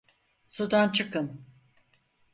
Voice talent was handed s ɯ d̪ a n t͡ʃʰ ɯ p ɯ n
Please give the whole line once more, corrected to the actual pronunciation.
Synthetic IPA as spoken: s u d̪ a n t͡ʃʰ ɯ k ɯ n